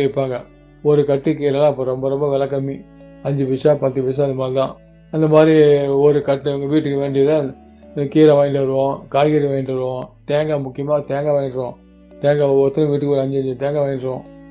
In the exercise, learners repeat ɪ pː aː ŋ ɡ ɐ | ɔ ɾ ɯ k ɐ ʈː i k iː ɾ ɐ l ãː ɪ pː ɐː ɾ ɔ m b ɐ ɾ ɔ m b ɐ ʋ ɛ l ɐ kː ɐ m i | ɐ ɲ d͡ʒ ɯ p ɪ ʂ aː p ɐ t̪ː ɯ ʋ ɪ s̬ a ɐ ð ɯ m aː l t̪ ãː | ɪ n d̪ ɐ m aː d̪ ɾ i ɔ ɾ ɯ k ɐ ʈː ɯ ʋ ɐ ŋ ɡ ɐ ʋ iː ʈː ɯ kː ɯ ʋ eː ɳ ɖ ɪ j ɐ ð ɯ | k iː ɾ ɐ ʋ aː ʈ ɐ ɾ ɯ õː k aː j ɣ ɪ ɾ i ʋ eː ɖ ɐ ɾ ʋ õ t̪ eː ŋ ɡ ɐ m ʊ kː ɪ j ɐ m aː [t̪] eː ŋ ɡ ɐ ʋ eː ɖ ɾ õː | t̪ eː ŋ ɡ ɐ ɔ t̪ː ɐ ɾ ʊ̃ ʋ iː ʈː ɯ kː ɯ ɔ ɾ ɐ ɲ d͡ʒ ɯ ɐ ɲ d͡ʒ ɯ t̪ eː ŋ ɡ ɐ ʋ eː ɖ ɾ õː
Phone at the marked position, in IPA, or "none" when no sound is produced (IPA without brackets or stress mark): t̪